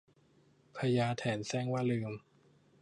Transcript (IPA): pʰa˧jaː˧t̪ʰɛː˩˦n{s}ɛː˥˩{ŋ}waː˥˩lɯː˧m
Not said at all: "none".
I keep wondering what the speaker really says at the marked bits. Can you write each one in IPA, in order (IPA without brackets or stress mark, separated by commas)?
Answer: s, ŋ